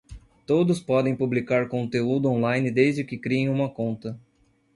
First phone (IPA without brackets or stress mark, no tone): t̪